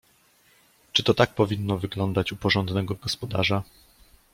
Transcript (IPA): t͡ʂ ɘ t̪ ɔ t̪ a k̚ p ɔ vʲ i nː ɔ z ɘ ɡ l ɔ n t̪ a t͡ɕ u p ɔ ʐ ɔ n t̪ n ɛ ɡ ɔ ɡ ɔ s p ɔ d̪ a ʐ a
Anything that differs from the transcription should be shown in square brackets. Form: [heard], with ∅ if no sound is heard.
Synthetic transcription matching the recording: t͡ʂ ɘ t̪ ɔ t̪ a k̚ p ɔ vʲ i nː ɔ [v] ɘ ɡ l ɔ n [d̪] a t͡ɕ u p ɔ ʐ ɔ n [d̪] n ɛ ɡ ɔ ɡ ɔ s p ɔ d̪ a ʐ a